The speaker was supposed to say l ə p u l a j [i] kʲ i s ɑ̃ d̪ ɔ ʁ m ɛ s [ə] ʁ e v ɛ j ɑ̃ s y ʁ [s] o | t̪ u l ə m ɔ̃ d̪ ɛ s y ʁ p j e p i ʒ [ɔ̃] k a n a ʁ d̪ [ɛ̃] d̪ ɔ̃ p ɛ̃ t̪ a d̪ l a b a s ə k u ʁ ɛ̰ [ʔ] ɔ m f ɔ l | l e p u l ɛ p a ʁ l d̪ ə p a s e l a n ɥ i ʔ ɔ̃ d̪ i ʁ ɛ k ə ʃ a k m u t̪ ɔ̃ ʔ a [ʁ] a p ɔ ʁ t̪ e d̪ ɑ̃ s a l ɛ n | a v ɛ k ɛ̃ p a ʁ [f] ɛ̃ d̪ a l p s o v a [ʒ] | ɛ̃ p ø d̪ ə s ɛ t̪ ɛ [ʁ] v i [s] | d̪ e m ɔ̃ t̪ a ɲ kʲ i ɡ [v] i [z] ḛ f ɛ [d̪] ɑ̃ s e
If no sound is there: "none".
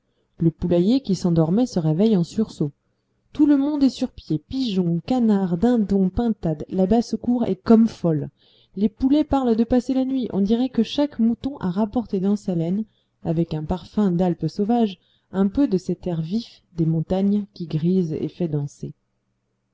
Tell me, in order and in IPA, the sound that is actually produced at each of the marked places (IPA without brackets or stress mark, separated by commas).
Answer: e, ə, s, ɔ̃, ɛ̃, k, ʁ, f, ʒ, ʁ, f, ʁ, z, d̪